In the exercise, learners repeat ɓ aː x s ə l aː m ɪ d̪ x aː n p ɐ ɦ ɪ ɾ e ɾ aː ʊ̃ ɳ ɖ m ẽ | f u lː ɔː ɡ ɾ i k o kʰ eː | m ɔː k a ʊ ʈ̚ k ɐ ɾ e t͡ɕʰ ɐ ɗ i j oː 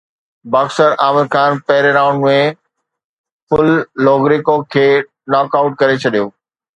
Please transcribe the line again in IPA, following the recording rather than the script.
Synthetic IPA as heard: b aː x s ə ɾ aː m ɪ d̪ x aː n p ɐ ɦ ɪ ɾ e ɾ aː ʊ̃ ɳ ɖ m ẽ | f ʊ lː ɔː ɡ ɾ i k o kʰ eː | n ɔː k a ʊ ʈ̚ k ɐ ɾ e t͡ɕʰ ɐ ɗ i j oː